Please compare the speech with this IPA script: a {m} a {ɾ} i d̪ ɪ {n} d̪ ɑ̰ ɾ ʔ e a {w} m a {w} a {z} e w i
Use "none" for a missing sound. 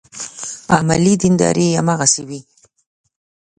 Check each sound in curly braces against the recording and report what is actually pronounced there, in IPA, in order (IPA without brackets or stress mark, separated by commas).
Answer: m, l, n, none, ɣ, s